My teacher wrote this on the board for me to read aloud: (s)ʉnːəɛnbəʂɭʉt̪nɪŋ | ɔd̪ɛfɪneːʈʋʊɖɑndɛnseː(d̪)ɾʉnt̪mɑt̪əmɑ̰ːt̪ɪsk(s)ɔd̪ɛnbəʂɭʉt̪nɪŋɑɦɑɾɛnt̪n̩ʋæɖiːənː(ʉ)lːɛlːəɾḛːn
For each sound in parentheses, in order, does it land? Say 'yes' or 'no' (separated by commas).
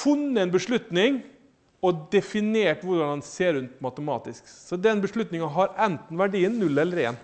no, no, yes, yes